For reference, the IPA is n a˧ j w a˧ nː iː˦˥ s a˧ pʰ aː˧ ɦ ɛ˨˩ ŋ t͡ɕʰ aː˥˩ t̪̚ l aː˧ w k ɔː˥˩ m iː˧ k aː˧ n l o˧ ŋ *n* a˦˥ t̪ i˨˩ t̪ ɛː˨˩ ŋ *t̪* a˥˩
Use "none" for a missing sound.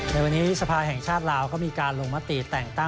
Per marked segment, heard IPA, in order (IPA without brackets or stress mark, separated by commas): m, t̪